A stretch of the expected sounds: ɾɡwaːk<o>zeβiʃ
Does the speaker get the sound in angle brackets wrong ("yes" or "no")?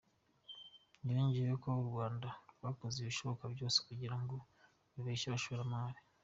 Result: no